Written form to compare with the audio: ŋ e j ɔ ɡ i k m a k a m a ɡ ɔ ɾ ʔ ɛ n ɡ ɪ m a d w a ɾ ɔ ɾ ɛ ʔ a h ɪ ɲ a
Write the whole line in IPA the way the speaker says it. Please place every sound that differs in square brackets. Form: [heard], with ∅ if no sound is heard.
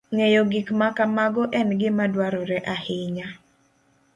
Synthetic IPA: ŋ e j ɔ ɡ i k m a k a m a ɡ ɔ [∅] ʔ ɛ n ɡ ɪ m a d w a ɾ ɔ ɾ ɛ ʔ a h ɪ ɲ a

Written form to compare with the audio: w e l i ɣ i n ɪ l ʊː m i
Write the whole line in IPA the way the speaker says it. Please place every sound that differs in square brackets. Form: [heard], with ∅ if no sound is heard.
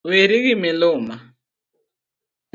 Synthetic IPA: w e [ɾ] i ɣ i [m] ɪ l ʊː m [a]

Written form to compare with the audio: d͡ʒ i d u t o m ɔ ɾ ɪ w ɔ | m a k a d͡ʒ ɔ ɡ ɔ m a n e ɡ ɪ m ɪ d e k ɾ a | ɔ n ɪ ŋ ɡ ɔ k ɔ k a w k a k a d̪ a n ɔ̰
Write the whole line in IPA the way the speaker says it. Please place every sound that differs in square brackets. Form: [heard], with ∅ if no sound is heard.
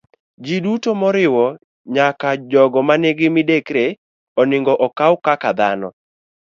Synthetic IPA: d͡ʒ i d u t o m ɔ ɾ ɪ w ɔ | [ɲ] a k a d͡ʒ ɔ ɡ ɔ m a n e ɡ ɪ m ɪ d e k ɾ [e] | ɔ n ɪ ŋ ɡ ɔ [ʔ] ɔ k a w k a k a d̪ a n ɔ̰

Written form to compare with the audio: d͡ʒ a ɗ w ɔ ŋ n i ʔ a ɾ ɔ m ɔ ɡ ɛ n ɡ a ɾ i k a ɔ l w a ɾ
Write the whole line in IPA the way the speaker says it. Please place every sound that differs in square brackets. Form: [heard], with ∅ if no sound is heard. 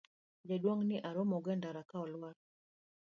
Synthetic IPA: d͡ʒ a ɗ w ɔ ŋ n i ʔ a ɾ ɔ m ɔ ɡ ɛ n [d] a ɾ [a] k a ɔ l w a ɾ

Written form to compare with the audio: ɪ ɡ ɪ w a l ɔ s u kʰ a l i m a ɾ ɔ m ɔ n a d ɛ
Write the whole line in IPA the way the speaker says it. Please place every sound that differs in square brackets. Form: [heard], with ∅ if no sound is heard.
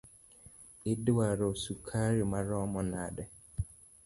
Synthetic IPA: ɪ [d] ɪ w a [ɾ] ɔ s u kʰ a [ɾ] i m a ɾ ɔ m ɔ n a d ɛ

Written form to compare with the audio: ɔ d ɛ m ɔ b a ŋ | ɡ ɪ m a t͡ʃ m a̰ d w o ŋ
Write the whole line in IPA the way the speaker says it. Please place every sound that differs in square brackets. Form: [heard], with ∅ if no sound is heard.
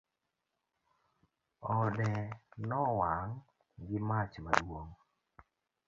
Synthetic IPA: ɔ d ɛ [n] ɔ [w] a ŋ | ɡ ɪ m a t͡ʃ m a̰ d w o ŋ

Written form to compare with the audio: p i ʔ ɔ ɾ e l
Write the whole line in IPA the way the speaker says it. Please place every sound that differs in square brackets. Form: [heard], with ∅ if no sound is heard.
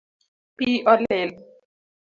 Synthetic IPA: p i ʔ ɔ [l] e l

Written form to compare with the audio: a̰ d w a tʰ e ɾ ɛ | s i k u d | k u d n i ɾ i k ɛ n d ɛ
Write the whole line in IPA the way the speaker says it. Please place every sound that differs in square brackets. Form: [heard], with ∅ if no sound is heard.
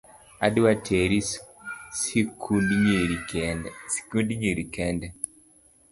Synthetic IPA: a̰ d w a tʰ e ɾ [i] | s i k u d | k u d [ɲ] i ɾ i k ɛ n d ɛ

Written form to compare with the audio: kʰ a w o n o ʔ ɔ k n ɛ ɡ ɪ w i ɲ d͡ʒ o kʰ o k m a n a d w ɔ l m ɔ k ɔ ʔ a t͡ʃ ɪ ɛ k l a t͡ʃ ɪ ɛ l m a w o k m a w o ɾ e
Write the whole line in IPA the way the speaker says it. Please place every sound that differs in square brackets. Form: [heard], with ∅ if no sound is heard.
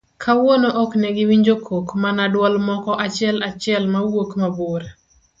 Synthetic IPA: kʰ a w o n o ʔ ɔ k n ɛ ɡ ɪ w i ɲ d͡ʒ o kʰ o k m a n a d w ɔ l m ɔ k ɔ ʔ a t͡ʃ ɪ ɛ [∅] l a t͡ʃ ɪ ɛ l m a w o k m a [b] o ɾ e

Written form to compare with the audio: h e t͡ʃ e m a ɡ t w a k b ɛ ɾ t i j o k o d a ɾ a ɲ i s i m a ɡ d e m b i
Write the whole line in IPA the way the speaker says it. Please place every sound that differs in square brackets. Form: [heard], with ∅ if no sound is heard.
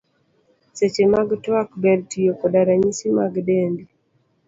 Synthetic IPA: [s] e t͡ʃ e m a ɡ t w a k b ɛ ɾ t i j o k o d a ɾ a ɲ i s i m a ɡ d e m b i

